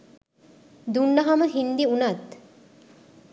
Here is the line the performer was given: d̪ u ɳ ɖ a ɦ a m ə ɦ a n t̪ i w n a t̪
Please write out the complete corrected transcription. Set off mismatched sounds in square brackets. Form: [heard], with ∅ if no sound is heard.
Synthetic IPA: d̪ u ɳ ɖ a ɦ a m ə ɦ [i] n [d̪] i [u] n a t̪